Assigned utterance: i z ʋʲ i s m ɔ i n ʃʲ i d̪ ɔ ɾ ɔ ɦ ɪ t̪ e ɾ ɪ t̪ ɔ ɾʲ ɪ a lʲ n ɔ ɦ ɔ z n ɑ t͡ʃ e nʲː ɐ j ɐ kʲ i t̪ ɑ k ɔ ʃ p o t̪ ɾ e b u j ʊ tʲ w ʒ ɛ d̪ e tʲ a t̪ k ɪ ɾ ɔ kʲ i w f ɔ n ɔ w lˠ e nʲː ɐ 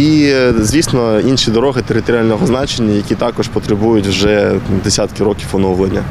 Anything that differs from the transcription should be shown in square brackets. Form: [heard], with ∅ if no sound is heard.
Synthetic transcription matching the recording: i z ʋʲ i s [n] ɔ i n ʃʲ i d̪ ɔ ɾ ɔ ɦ ɪ t̪ e ɾ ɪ t̪ ɔ ɾʲ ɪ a lʲ n ɔ ɦ ɔ z n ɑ t͡ʃ e nʲː ɐ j ɐ kʲ i t̪ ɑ k ɔ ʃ p [ɔ] t̪ ɾ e b u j ʊ tʲ w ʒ ɛ d̪ e [sʲ] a t̪ k ɪ ɾ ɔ kʲ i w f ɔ n ɔ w lˠ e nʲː ɐ